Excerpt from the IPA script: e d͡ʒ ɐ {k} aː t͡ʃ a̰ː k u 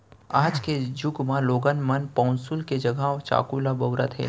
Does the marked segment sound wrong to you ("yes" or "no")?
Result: yes